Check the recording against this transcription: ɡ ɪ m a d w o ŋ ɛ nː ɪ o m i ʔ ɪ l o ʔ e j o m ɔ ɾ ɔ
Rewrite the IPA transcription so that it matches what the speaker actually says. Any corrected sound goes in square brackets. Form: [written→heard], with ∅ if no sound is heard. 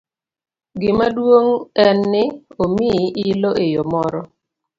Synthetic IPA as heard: ɡ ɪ m a d w o ŋ ɛ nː ɪ o m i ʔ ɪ l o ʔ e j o m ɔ ɾ ɔ